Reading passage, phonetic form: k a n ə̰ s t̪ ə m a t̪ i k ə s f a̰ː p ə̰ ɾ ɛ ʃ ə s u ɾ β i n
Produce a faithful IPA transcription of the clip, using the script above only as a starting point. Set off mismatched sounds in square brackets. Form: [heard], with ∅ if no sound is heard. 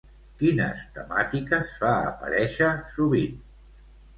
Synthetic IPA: k [i] n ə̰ s t̪ ə m a t̪ i k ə s f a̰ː p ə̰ ɾ ɛ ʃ ə s u [∅] β i n

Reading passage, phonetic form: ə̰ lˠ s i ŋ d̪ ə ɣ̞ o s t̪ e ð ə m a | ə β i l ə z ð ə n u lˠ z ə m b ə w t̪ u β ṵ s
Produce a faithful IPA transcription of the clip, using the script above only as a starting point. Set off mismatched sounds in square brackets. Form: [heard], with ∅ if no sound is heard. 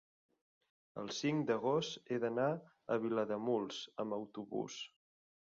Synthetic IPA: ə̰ lˠ s i ŋ d̪ ə ɣ̞ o s t̪ e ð ə [n] a | ə β i l ə [∅] ð ə [m] u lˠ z ə m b ə w t̪ u β ṵ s

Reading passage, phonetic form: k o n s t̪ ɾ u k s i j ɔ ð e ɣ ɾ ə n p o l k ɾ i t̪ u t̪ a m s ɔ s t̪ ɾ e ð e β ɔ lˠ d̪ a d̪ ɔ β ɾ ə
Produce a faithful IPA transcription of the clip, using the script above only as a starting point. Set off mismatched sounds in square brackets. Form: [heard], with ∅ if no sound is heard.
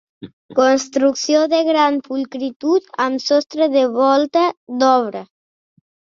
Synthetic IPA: k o n s t̪ ɾ u k s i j [o] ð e ɣ ɾ [a] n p [u] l k ɾ i t̪ u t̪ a m s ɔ s t̪ ɾ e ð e β ɔ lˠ [t̪] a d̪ ɔ β ɾ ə

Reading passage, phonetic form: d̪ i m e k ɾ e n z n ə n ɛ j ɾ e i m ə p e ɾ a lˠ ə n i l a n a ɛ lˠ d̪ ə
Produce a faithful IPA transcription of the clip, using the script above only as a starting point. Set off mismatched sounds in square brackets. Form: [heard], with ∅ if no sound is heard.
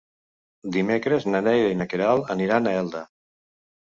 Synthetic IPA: d̪ i m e k ɾ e [∅] z n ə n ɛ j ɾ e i [n] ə [k] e ɾ a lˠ ə n i [ɾ] a n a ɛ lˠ d̪ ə

